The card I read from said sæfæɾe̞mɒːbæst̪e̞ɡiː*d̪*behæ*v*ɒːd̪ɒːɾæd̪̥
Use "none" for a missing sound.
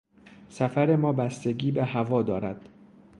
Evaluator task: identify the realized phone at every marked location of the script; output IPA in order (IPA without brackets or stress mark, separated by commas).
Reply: none, v